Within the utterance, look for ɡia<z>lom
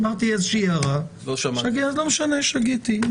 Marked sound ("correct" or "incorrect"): correct